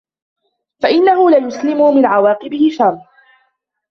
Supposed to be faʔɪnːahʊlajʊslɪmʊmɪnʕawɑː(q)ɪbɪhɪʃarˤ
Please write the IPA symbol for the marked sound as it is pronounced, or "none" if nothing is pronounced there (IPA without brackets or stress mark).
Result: q